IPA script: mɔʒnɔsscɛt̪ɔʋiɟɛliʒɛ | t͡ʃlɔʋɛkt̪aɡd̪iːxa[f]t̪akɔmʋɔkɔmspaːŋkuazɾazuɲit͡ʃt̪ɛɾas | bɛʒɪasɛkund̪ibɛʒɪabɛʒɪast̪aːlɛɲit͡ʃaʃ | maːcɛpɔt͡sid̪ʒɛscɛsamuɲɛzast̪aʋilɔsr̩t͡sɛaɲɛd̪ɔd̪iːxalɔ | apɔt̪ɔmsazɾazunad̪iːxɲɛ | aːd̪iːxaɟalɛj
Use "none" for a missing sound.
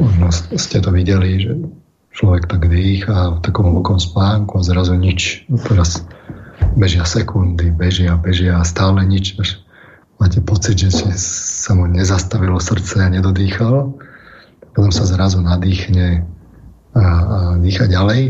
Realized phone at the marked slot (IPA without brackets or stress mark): f